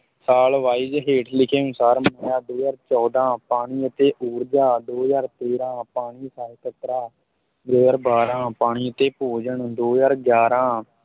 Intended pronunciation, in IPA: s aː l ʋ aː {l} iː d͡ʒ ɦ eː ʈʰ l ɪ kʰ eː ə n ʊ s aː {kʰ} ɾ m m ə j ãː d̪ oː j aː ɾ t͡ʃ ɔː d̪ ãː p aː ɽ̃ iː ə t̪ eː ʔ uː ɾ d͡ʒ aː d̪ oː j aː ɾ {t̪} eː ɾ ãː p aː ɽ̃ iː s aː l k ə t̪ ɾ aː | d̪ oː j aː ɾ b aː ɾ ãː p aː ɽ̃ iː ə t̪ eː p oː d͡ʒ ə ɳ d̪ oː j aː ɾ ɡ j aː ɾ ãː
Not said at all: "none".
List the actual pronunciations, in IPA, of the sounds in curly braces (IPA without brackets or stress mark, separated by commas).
none, none, t̪